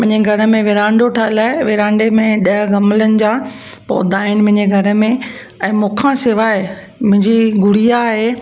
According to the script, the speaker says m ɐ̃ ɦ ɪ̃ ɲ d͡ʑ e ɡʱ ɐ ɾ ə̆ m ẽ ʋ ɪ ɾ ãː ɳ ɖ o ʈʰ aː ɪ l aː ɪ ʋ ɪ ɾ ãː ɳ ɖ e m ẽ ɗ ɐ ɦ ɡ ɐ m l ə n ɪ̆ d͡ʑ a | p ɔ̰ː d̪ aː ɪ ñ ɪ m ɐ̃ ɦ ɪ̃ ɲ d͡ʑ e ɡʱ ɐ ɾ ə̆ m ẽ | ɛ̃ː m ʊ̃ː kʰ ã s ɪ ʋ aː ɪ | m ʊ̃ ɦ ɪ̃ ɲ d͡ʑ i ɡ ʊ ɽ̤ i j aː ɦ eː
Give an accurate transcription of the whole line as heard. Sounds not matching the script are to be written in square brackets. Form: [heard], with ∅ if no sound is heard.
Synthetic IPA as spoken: m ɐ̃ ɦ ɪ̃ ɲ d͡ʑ e ɡʱ ɐ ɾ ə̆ m ẽ ʋ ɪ ɾ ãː ɳ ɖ o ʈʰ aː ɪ l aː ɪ ʋ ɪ ɾ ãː ɳ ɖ e m ẽ ɗ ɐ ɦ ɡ ɐ m l ə n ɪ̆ d͡ʑ a | p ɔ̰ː d̪ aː ɪ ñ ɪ m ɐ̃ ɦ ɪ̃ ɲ d͡ʑ e ɡʱ ɐ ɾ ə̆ m ẽ | ɛ̃ː m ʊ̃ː kʰ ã s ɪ ʋ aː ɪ | m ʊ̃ ɦ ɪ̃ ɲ d͡ʑ i ɡ ʊ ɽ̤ i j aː ɦ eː